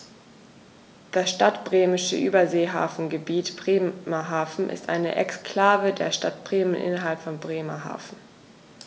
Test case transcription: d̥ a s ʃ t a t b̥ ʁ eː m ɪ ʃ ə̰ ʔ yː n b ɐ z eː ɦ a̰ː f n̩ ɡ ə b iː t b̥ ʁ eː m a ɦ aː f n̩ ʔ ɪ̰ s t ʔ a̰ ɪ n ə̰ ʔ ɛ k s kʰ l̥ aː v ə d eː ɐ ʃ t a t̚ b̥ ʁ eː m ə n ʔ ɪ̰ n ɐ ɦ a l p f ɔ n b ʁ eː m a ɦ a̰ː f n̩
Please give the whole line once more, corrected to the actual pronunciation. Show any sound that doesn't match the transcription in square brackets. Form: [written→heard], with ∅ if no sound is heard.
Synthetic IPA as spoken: d̥ a s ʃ t a t b̥ ʁ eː m ɪ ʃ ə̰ ʔ yː [n→∅] b ɐ z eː ɦ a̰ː f n̩ ɡ ə b iː t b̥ ʁ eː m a ɦ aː f n̩ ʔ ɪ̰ s t ʔ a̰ ɪ n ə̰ ʔ ɛ k s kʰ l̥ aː v ə d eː ɐ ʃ t a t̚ b̥ ʁ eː m ə n ʔ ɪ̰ n ɐ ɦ a l p f ɔ n b ʁ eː m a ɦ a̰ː f n̩

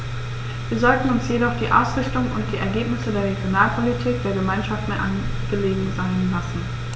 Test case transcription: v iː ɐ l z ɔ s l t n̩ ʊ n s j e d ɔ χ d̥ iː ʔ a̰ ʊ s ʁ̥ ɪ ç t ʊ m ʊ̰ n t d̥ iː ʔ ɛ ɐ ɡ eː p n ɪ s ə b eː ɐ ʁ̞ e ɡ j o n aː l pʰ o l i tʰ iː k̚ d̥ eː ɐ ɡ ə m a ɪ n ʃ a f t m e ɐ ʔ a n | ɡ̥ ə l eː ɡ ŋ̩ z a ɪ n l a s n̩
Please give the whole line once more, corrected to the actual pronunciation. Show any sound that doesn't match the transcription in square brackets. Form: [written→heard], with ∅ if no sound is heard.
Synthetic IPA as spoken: v iː ɐ [l→∅] z ɔ [s→∅] l t n̩ ʊ n s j e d ɔ χ d̥ iː ʔ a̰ ʊ s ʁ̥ ɪ ç t ʊ [m→ŋ] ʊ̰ n t d̥ iː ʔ ɛ ɐ ɡ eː p n ɪ s ə [b→d] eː ɐ ʁ̞ e ɡ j o n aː l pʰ o l i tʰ iː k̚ d̥ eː ɐ ɡ ə m a ɪ n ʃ a f t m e ɐ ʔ a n | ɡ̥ ə l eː ɡ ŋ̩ z a ɪ n l a s n̩

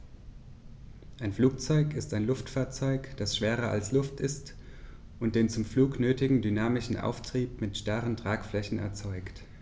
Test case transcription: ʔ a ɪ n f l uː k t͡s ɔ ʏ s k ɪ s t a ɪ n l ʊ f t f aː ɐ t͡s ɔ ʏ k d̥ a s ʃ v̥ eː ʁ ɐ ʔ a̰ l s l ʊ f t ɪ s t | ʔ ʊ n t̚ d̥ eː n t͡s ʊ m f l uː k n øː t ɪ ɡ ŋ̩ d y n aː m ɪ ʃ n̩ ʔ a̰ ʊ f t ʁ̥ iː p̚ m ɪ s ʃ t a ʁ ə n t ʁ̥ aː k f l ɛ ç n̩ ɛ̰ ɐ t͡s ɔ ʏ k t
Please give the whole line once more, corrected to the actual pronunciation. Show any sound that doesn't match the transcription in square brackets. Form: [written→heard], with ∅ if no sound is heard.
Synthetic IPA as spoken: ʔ a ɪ n f l uː k t͡s ɔ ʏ [s→∅] k ɪ s t a ɪ n l ʊ f t f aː ɐ t͡s ɔ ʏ k d̥ a s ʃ v̥ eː ʁ ɐ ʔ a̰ l s l ʊ f t ɪ s t | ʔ ʊ n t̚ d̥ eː n t͡s ʊ m f l uː k n øː t ɪ ɡ ŋ̩ d y n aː m ɪ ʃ n̩ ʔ a̰ ʊ f t ʁ̥ iː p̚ m ɪ [s→t] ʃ t a ʁ ə n t ʁ̥ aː k f l ɛ ç n̩ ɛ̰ ɐ t͡s ɔ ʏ k t

